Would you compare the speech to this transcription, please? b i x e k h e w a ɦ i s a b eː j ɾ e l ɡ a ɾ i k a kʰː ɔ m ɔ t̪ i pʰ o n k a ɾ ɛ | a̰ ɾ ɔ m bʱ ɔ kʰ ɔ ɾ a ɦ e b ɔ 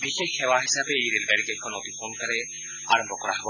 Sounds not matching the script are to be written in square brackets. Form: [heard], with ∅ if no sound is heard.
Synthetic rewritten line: b i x e k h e w a ɦ i s a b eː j ɾ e l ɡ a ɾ i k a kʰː ɔ [n] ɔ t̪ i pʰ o n k a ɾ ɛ | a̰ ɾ ɔ m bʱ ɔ [k] ɔ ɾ a ɦ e b ɔ

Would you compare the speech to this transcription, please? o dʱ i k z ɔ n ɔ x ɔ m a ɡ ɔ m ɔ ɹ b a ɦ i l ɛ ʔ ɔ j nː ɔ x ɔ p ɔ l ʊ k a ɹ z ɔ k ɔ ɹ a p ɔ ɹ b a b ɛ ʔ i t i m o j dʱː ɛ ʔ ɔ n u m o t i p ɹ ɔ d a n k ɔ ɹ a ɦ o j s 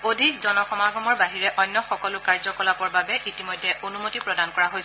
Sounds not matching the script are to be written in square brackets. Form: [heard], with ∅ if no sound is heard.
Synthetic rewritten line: o dʱ i k z ɔ n ɔ x ɔ m a ɡ ɔ m ɔ ɹ b a ɦ i [ɹ] ɛ ʔ ɔ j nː ɔ x ɔ [k] ɔ l ʊ k a ɹ z ɔ k ɔ [l] a p ɔ ɹ b a b ɛ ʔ i t i m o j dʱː ɛ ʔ [o] n u m o t i p ɹ ɔ d a n k ɔ ɹ a ɦ o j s

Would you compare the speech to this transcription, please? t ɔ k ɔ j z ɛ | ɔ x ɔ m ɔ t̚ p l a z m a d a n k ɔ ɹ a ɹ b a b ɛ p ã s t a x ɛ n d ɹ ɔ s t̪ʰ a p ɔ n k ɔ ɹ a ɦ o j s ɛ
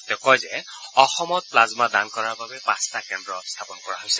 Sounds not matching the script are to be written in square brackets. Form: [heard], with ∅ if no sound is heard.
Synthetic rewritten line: t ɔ k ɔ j z ɛ | ɔ x ɔ m ɔ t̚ p l a z m a d a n k ɔ ɹ a ɹ b a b ɛ p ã s t a [k] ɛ n d ɹ ɔ s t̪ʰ a p ɔ n k ɔ ɹ a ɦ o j s ɛ

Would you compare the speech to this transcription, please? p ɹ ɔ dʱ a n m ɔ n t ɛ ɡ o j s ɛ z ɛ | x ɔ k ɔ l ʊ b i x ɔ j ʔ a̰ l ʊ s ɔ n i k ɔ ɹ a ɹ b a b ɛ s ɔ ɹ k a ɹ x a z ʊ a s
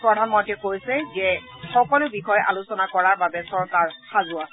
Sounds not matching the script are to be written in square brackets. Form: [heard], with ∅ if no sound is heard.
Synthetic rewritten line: p ɹ ɔ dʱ a n m ɔ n t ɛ [k] o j s ɛ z ɛ | x ɔ k ɔ l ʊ b i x ɔ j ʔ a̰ l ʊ s ɔ n [a] k ɔ ɹ a ɹ b a b ɛ s ɔ ɹ k a ɹ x a z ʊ a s

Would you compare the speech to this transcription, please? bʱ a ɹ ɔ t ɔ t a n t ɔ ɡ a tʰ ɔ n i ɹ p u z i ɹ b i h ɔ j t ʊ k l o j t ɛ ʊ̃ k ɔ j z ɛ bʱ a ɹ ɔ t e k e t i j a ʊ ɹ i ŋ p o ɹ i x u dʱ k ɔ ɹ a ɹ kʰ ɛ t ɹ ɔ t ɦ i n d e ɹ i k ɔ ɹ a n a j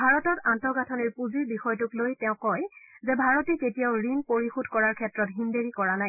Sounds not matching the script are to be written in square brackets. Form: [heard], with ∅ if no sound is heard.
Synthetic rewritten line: bʱ a ɹ ɔ t ɔ t a n t ɔ ɡ a tʰ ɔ n i ɹ p u z i ɹ b i [x] ɔ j t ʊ k l o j t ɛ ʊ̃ k ɔ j z ɛ bʱ a ɹ ɔ t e k e t i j a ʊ ɹ i [n] p o ɹ i x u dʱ k ɔ ɹ a ɹ kʰ ɛ t ɹ ɔ t ɦ i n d e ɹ i k ɔ ɹ a n a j

